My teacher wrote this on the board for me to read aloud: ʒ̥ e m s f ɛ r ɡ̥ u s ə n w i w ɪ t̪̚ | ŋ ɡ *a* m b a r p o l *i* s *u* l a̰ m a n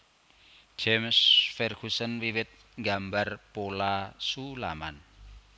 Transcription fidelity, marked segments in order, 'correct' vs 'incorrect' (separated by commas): correct, incorrect, correct